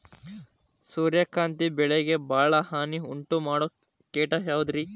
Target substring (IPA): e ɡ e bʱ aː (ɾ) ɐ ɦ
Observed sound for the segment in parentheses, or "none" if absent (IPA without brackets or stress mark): ɭ